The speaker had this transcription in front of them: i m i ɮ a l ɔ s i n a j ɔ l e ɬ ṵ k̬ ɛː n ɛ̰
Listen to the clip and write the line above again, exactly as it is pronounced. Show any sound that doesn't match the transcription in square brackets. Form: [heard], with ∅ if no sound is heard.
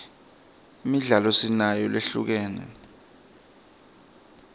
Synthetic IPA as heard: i m i ɮ a l ɔ s i n a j ɔ l e ɬ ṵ k̬ ɛː n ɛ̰